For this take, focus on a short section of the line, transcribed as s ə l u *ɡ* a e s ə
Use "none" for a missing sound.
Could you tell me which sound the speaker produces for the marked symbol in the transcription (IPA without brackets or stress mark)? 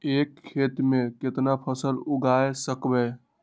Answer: ɡ